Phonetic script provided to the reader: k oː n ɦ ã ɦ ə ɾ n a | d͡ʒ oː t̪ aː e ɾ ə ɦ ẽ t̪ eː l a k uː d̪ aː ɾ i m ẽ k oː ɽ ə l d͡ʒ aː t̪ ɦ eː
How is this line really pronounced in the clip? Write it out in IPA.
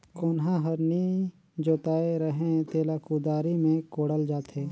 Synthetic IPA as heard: k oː n ɦ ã ɦ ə ɾ n i | d͡ʒ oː t̪ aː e ɾ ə ɦ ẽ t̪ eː l a k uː d̪ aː ɾ i m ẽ k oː ɽ ə l d͡ʒ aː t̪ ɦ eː